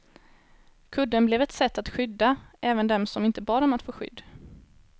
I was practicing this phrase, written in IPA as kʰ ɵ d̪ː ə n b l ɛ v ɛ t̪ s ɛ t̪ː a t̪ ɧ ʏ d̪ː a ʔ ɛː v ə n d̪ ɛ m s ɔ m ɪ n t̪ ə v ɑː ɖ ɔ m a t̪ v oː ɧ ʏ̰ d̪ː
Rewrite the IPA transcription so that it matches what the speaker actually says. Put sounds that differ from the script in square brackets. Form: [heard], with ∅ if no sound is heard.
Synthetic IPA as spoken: kʰ ɵ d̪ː ə n b l ɛ v ɛ t̪ s ɛ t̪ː a t̪ ɧ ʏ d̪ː a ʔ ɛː v ə n d̪ ɛ m s ɔ m ɪ n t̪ ə [b] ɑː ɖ ɔ m a t̪ [f] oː ɧ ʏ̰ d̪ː